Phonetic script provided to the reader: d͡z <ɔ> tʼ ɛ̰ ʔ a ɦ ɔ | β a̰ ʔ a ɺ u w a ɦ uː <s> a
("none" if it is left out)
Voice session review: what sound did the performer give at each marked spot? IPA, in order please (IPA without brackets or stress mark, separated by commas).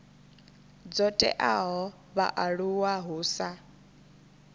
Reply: ɔ, s